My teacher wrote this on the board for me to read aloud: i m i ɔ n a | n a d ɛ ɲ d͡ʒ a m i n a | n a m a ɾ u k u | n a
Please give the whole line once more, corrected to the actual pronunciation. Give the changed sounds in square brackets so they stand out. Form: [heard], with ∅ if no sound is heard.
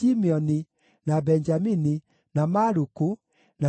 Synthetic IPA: i m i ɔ n [i] | n a [b] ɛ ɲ d͡ʒ a m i n [i] | n a m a ɾ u k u | n a